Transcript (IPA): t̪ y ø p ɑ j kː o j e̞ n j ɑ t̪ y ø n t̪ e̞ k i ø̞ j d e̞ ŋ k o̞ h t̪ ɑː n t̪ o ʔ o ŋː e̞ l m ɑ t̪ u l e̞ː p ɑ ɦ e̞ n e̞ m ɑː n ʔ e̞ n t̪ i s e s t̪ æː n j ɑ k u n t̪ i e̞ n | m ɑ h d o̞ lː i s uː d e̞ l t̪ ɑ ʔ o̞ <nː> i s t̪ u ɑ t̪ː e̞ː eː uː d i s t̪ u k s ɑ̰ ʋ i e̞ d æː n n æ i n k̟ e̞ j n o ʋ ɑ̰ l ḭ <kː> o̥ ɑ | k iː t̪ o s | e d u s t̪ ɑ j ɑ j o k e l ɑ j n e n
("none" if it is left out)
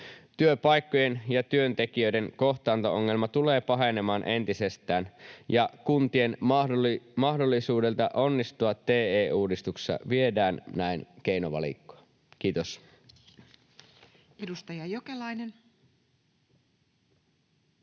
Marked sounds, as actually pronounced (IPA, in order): nː, kː

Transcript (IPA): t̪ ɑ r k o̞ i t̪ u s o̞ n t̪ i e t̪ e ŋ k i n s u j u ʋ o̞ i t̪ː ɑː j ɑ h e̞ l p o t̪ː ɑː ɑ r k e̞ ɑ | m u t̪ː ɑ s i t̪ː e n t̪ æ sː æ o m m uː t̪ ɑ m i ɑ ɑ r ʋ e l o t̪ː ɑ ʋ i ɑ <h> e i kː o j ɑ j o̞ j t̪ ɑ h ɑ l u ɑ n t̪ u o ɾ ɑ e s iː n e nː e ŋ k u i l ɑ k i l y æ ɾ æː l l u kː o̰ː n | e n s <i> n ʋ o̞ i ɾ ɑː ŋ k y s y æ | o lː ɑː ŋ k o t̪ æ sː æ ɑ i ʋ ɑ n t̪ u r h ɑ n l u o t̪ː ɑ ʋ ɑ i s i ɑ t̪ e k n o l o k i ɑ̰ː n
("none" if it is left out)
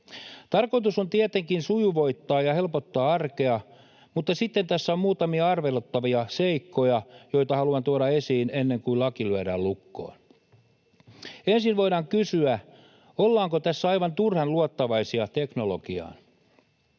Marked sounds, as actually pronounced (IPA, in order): s, i

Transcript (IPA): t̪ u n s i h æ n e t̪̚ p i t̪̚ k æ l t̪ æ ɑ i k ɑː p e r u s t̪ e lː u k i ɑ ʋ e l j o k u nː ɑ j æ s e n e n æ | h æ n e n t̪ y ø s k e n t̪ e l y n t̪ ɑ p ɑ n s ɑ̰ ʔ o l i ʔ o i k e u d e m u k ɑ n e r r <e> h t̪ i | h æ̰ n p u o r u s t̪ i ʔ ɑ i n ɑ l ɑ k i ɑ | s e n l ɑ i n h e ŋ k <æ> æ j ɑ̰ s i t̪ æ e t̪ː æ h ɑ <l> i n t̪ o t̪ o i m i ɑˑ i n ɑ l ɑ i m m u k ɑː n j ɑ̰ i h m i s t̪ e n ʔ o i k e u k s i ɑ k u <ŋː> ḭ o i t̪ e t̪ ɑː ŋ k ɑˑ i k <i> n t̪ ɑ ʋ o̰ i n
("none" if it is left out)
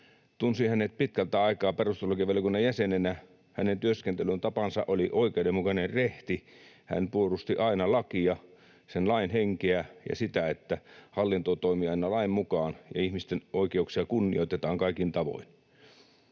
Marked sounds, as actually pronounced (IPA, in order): e, e, lː, nː, i

